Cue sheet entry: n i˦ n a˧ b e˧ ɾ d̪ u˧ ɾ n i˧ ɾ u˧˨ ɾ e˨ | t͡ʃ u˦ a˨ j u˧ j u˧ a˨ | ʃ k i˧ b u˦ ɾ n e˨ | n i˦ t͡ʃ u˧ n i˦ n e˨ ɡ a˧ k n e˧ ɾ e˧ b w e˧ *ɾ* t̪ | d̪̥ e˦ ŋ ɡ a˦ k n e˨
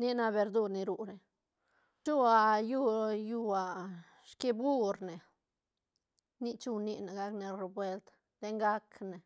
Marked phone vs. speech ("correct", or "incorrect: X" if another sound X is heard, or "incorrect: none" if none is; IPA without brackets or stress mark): incorrect: l